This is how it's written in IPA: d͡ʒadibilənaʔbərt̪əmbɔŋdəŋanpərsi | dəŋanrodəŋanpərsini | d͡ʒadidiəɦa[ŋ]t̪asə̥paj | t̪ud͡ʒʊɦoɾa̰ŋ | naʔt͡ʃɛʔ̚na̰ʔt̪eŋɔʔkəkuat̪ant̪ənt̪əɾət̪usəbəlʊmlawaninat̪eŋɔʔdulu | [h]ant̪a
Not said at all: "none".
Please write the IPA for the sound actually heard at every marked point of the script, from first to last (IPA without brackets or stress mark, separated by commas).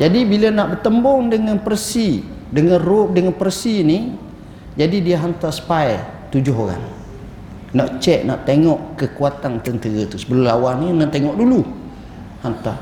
n, h